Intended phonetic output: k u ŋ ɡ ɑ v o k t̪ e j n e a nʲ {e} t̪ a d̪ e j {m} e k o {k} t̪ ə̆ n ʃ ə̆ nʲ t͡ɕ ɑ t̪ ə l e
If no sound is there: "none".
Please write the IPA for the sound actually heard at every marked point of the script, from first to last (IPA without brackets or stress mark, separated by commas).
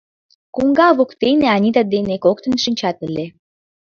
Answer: i, n, k